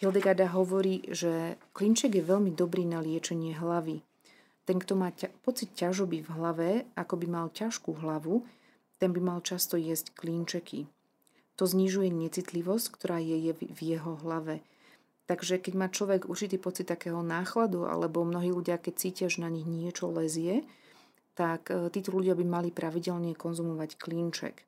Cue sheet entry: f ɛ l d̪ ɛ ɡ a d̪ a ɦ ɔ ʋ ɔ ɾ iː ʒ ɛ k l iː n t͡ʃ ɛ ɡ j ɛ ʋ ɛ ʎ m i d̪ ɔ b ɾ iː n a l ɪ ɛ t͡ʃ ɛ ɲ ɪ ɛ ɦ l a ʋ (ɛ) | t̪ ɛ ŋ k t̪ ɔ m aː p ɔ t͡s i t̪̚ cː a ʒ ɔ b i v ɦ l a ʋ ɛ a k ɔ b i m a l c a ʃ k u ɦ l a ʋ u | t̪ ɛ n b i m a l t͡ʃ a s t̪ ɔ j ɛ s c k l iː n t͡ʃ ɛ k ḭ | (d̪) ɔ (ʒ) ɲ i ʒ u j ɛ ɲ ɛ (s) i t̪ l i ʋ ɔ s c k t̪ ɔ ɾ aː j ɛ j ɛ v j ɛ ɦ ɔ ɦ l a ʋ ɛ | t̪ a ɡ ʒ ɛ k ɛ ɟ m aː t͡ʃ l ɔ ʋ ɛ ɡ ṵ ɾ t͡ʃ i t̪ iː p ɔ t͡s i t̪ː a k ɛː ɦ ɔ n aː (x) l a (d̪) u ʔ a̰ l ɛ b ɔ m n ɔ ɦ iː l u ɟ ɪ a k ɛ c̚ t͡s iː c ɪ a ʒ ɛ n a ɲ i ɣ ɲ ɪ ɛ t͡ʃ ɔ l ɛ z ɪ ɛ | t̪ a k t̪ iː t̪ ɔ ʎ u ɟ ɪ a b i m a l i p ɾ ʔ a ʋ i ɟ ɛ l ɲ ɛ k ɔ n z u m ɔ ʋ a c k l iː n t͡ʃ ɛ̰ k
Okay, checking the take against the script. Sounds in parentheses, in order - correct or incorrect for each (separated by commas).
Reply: incorrect, incorrect, incorrect, incorrect, correct, correct